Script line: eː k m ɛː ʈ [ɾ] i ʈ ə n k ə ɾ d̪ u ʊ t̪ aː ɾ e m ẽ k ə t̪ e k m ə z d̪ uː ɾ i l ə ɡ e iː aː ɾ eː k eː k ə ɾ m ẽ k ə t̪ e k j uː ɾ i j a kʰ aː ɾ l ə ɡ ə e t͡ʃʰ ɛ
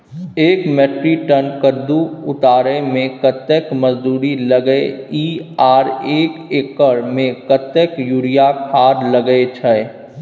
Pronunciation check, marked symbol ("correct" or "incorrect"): correct